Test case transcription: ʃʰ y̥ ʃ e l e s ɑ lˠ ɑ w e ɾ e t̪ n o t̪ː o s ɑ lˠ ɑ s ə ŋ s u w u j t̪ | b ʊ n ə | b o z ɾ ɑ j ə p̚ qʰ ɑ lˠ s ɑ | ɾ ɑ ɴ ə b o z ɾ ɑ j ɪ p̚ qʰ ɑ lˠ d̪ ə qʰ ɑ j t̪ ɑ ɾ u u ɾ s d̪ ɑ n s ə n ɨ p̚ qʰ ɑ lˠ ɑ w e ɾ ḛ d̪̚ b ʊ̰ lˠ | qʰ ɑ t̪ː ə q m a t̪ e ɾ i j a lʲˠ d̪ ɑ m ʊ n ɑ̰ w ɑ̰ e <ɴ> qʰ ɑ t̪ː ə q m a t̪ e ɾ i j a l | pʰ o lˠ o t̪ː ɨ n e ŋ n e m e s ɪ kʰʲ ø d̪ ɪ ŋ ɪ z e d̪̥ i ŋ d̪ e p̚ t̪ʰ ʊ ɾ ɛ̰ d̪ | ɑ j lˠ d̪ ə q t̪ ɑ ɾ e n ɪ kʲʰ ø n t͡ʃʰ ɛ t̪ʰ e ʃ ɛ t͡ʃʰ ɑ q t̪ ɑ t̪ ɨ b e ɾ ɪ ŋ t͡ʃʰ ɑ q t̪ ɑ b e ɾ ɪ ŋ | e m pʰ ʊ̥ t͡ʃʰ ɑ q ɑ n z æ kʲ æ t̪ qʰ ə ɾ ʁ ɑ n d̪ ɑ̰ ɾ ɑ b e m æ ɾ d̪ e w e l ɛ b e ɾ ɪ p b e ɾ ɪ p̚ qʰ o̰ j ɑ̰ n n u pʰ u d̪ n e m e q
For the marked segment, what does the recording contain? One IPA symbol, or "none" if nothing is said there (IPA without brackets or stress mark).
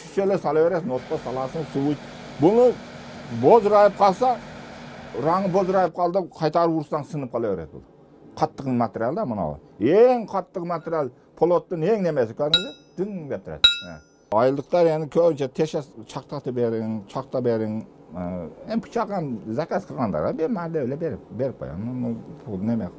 ŋ